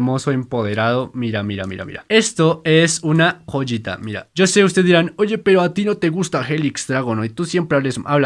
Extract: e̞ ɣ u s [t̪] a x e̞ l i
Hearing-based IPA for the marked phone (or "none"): t̪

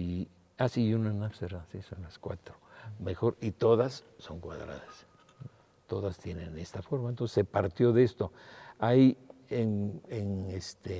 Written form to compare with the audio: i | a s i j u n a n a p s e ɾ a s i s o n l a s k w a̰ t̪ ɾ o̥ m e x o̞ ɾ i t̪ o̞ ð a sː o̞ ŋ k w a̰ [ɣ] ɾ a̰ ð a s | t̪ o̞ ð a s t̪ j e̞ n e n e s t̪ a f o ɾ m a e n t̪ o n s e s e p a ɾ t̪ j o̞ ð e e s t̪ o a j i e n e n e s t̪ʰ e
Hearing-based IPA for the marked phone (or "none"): ð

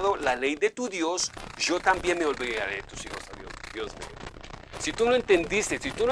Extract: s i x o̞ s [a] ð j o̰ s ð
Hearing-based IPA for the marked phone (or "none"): a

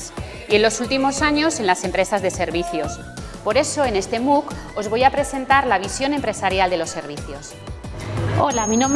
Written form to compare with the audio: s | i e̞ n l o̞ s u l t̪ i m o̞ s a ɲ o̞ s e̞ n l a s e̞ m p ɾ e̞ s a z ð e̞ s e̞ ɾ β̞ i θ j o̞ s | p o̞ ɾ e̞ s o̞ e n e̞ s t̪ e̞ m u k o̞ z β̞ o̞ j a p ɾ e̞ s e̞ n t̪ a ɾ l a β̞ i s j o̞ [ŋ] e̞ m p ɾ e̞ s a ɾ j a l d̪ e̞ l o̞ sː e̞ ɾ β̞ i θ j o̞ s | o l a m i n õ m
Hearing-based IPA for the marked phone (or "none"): n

